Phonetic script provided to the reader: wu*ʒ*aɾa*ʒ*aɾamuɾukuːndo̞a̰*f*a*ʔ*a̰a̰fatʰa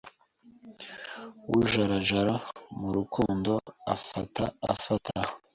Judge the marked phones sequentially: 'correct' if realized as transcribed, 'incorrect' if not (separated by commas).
correct, correct, correct, incorrect